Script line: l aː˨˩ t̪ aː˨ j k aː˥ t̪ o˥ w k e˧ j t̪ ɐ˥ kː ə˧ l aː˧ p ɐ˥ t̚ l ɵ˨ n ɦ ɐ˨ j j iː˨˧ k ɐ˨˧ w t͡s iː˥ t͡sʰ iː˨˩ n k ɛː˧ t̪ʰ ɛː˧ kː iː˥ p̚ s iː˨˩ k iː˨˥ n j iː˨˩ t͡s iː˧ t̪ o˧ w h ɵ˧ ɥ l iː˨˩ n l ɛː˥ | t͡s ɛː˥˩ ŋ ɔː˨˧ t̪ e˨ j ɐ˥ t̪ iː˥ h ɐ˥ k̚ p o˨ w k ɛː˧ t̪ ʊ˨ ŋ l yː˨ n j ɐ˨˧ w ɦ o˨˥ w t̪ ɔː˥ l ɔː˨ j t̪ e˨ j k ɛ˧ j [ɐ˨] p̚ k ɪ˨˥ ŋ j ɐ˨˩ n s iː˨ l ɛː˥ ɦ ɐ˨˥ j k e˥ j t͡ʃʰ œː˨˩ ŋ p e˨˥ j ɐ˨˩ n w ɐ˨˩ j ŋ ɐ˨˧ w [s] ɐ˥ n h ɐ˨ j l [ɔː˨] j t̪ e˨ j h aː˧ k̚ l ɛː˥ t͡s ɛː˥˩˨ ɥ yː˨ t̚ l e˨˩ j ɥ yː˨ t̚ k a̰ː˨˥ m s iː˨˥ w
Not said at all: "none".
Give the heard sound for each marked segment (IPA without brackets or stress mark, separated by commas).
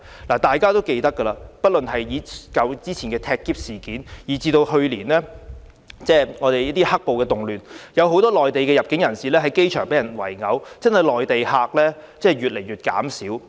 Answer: ɐ˨, t͡s, ɔː˨